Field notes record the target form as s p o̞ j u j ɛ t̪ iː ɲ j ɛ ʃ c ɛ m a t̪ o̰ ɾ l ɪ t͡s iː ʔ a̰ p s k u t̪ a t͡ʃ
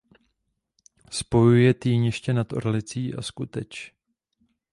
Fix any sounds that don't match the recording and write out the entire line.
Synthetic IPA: s p o̞ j u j ɛ t̪ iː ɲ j ɛ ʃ c ɛ n a t̪ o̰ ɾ l ɪ t͡s iː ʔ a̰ s k u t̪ ɛ t͡ʃ